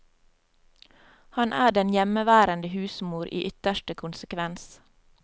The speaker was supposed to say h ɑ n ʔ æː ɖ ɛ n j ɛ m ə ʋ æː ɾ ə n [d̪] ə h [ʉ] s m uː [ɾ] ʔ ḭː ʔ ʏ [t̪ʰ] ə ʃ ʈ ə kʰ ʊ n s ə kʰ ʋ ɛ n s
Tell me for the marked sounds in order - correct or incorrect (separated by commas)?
correct, incorrect, correct, incorrect